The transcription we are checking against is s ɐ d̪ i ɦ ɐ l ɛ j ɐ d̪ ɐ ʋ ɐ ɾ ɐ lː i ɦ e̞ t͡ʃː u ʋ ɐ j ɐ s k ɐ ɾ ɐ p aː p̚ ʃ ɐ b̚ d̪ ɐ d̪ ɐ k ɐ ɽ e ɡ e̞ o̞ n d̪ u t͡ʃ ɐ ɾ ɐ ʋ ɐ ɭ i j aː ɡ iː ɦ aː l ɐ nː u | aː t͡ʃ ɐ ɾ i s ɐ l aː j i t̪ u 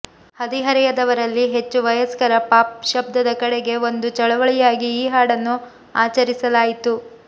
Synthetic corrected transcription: h ɐ d̪ i ɦ ɐ ɾ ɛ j ɐ d̪ ɐ ʋ ɐ ɾ ɐ lː i ɦ e̞ t͡ʃː u ʋ ɐ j ɐ s k ɐ ɾ ɐ p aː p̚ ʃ ɐ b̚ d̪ ɐ d̪ ɐ k ɐ ɽ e ɡ e̞ o̞ n d̪ u t͡ʃ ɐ ɭ ɐ ʋ ɐ ɭ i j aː ɡ iː ɦ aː ɽ ɐ nː u | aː t͡ʃ ɐ ɾ i s ɐ l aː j i t̪ u